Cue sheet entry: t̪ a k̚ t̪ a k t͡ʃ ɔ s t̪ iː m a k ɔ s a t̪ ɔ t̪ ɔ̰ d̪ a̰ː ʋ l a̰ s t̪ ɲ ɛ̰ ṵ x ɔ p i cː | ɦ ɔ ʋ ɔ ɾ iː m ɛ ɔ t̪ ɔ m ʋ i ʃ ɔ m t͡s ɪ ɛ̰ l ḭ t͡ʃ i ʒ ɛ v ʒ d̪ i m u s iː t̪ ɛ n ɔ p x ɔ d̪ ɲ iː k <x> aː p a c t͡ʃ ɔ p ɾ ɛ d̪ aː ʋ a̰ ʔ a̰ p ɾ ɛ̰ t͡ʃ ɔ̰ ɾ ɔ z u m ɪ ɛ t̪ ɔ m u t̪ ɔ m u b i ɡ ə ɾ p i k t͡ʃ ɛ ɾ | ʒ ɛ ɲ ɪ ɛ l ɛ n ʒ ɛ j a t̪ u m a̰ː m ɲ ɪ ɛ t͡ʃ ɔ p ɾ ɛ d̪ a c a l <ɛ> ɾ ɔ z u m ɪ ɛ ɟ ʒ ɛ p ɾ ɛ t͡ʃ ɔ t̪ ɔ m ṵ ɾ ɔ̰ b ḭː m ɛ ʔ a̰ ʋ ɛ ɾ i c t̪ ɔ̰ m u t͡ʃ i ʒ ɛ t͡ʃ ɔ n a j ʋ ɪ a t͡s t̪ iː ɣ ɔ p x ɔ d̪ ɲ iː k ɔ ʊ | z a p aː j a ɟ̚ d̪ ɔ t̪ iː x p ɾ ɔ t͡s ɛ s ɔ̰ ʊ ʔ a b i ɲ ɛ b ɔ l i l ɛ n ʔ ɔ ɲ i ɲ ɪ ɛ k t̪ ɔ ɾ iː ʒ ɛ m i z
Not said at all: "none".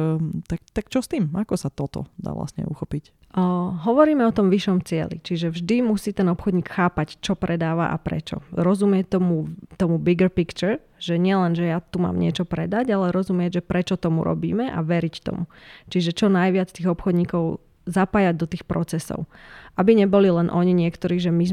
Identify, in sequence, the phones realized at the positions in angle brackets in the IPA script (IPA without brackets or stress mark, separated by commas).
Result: x, ɛ